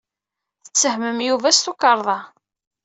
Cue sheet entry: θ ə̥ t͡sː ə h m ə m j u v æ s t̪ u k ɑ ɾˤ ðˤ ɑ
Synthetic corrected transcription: θ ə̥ t͡sː ə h m ə m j u v æ s t̪ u k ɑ ɾˤ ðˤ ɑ